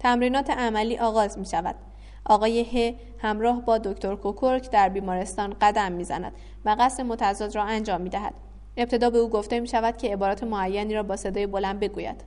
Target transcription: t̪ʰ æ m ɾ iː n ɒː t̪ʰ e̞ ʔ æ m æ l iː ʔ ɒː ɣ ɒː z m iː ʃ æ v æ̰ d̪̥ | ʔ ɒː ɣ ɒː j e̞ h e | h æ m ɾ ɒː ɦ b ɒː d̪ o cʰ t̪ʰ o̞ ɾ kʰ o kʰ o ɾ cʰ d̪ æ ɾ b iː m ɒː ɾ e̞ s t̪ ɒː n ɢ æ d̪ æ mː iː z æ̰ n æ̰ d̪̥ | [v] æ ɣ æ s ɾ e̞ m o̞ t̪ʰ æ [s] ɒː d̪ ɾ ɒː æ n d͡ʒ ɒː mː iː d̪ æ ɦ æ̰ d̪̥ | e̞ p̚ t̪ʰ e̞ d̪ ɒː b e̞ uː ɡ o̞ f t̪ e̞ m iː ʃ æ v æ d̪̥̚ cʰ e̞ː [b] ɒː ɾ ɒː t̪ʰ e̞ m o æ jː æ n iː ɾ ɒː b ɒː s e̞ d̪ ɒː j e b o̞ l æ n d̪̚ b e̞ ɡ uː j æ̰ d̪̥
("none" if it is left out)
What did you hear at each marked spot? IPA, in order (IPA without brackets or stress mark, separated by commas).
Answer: v, z, b